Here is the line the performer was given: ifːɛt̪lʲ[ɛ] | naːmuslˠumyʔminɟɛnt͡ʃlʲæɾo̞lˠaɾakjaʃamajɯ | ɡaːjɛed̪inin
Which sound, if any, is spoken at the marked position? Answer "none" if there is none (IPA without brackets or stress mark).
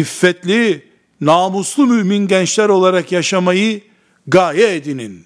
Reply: i